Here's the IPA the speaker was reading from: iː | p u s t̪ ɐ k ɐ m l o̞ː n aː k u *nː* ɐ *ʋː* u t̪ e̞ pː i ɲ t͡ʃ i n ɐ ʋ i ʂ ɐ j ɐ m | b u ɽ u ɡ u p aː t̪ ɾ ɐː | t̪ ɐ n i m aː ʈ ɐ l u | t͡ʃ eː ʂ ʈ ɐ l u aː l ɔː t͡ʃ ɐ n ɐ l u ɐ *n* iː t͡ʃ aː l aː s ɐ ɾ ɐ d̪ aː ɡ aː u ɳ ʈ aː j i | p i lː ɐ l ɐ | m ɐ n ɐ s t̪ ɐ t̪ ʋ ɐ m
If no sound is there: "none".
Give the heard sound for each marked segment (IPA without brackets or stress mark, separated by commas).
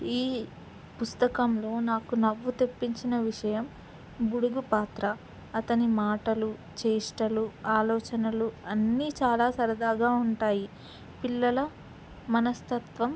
n, ʋː, nː